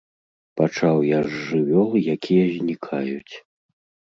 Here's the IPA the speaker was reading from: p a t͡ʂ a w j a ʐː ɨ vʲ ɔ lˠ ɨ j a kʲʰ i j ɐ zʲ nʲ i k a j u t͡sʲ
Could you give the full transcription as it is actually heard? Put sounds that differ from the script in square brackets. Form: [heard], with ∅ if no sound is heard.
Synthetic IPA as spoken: p a t͡ʂ a w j a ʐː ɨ vʲ ɔ lˠ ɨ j a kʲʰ i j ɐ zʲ nʲ i [kʰ] a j u t͡sʲ